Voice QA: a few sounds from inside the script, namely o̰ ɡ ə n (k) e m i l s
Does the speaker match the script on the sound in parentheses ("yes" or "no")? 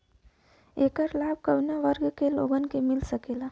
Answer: yes